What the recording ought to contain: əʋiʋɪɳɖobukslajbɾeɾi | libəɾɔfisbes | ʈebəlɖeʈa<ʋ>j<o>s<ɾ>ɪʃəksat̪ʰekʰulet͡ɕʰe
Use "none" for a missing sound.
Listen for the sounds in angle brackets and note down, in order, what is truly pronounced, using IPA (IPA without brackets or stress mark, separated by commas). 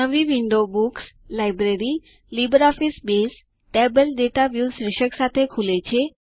ʋ, u, ɾ